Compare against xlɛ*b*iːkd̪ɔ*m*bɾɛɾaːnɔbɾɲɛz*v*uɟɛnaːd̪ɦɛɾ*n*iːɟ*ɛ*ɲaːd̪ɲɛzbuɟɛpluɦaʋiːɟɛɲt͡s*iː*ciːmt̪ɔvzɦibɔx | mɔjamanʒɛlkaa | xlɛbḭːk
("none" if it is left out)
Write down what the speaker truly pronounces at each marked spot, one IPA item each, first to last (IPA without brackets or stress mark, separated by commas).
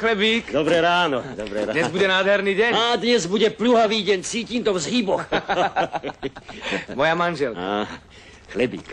b, none, b, n, ɛ, iː